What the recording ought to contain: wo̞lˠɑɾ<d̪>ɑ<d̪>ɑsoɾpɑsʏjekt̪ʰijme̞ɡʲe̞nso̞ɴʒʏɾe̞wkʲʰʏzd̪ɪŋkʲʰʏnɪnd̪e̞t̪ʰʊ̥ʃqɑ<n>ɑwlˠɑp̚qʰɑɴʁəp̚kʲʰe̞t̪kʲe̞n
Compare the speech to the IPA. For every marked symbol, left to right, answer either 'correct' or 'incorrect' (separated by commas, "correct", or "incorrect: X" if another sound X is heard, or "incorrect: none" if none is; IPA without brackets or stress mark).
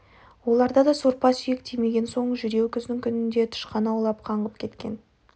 correct, correct, correct